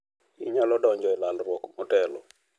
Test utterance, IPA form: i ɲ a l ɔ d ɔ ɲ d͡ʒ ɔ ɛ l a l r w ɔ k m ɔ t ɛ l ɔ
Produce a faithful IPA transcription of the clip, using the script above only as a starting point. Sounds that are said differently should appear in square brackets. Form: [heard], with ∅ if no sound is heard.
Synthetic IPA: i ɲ a l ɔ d ɔ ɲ d͡ʒ ɔ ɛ l a l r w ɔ k m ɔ t ɛ l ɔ